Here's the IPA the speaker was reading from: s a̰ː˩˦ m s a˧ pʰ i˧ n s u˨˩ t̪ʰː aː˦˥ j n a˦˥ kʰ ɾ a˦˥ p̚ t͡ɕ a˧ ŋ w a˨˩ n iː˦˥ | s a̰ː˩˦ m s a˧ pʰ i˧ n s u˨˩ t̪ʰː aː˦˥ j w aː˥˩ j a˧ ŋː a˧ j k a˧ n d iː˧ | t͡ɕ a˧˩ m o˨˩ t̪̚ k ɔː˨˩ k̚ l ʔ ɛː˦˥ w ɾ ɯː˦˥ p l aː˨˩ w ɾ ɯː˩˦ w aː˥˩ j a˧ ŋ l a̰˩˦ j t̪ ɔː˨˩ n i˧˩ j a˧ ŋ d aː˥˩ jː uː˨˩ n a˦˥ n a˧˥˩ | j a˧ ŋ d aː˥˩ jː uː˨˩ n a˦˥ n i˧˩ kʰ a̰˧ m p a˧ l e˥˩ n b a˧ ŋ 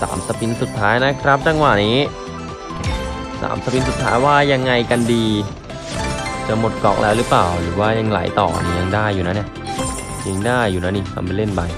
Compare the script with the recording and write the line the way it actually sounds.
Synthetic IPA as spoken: s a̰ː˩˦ m s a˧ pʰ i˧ n s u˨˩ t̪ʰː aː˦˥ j n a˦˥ kʰ ɾ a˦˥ p̚ t͡ɕ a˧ ŋ w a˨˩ n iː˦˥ | s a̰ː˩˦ m s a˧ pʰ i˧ n s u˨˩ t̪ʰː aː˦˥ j w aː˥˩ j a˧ ŋː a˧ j k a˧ n d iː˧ | t͡ɕ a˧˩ m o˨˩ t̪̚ k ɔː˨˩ k̚ l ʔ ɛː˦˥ w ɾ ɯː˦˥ p l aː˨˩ w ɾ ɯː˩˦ w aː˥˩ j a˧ ŋ l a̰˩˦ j t̪ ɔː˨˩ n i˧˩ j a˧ ŋ d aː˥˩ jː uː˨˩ n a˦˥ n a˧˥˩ | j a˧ ŋ d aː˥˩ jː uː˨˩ n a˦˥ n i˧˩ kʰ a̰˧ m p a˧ l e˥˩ n b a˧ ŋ